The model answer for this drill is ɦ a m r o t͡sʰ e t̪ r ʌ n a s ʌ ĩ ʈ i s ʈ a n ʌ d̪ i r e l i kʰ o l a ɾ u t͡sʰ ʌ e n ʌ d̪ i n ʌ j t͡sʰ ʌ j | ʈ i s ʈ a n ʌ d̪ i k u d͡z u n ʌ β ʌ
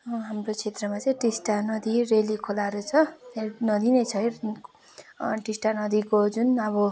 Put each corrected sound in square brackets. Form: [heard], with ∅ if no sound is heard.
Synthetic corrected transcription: ɦ a m r o t͡sʰ e t̪ r ʌ [m] a [t͡s] ʌ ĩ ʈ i s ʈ a n ʌ d̪ i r e l i kʰ o l a ɾ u t͡sʰ ʌ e n ʌ d̪ i n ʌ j t͡sʰ ʌ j | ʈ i s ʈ a n ʌ d̪ i k [o] d͡z u n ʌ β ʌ